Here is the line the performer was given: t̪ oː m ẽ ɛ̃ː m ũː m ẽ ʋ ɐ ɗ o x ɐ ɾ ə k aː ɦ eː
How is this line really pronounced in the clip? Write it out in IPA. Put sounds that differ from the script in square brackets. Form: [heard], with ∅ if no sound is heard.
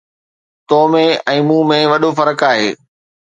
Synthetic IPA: t̪ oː m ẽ ɛ̃ː m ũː m ẽ ʋ ɐ ɗ o [f] ɐ ɾ ə k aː ɦ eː